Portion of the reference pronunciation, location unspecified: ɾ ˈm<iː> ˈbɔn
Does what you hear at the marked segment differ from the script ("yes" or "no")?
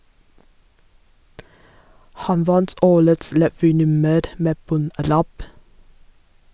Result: yes